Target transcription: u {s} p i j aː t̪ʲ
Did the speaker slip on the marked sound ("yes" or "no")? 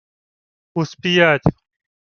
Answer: no